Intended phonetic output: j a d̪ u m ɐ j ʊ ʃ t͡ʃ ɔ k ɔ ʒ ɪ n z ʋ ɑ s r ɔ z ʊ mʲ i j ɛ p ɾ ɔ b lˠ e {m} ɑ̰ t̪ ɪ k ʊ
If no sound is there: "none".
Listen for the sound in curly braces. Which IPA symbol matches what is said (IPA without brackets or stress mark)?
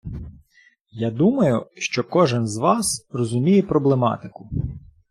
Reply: m